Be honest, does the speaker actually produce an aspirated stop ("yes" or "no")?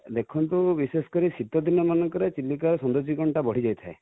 yes